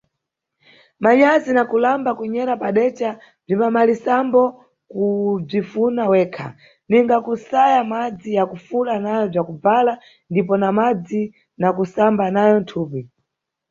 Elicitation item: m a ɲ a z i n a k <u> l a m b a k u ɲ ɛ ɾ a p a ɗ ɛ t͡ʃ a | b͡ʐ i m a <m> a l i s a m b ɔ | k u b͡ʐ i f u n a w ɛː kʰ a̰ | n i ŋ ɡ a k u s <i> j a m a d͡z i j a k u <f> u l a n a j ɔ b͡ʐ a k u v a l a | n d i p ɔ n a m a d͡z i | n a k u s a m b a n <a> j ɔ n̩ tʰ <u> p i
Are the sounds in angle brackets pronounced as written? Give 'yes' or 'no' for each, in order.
yes, yes, no, yes, yes, no

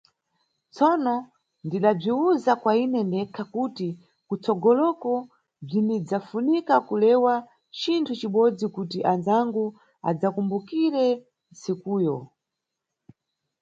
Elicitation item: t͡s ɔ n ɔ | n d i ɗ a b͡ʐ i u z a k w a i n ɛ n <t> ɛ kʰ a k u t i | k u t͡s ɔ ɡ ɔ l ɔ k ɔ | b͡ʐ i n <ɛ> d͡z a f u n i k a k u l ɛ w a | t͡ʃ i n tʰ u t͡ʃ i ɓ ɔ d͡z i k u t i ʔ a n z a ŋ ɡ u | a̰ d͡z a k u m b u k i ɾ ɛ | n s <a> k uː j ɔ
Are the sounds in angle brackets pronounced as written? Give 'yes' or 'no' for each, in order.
no, no, no

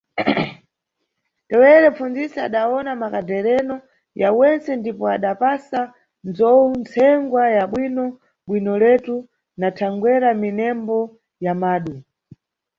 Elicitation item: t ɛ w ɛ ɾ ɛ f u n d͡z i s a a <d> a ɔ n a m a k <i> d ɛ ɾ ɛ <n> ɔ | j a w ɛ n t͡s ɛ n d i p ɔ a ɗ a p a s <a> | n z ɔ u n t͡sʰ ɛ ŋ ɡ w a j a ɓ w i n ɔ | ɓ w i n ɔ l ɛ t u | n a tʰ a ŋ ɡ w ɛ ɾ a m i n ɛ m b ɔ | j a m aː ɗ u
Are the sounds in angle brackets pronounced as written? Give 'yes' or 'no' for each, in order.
no, no, yes, yes

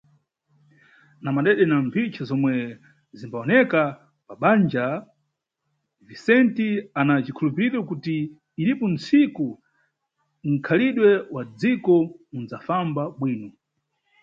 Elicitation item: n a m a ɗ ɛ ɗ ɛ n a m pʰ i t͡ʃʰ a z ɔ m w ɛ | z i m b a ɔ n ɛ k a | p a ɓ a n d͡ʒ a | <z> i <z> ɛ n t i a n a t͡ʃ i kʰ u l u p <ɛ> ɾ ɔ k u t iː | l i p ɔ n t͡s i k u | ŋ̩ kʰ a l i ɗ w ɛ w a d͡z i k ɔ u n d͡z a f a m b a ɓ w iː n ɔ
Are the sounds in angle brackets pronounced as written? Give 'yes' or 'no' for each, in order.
no, no, no

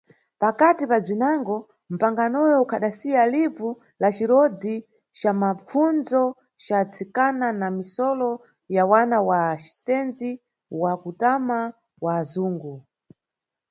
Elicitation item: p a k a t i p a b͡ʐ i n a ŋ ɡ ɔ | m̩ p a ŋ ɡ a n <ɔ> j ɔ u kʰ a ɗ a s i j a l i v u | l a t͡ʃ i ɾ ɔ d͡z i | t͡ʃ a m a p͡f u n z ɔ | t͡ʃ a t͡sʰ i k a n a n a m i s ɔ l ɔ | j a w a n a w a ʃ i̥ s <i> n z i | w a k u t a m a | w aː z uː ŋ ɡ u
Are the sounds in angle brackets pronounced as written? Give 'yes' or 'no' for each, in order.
yes, no

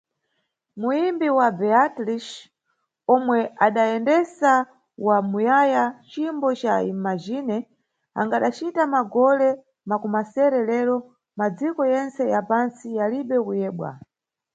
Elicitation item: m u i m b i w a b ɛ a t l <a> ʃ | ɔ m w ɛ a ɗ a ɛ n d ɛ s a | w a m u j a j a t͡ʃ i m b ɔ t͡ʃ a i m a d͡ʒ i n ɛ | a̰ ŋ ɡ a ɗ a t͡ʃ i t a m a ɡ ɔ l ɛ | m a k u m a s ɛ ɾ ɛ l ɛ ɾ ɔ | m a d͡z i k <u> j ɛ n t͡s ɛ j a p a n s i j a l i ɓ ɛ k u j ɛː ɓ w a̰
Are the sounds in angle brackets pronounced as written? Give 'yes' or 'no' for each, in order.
no, no

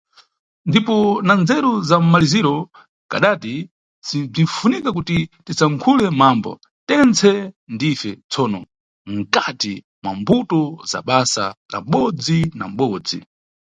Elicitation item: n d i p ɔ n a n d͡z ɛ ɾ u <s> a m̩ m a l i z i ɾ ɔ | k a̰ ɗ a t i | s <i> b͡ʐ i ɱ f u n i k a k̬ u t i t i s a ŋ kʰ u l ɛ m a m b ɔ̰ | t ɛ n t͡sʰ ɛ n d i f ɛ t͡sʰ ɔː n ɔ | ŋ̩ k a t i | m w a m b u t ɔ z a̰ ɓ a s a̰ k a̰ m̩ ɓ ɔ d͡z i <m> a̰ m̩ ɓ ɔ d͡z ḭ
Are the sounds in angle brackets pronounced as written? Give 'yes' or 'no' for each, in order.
no, yes, no

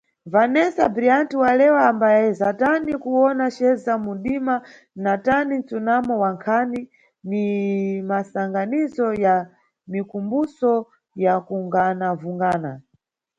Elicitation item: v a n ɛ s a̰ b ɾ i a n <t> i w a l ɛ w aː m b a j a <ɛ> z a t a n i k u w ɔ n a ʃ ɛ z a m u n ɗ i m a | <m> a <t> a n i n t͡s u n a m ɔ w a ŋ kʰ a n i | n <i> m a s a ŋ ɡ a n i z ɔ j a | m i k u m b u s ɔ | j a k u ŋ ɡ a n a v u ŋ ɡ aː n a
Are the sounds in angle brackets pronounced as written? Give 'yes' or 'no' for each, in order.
yes, yes, no, yes, yes

